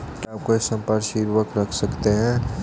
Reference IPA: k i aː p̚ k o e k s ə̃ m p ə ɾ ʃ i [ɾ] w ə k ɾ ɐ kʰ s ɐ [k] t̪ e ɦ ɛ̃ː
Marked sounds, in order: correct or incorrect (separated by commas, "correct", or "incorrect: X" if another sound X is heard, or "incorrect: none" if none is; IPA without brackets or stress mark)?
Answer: correct, correct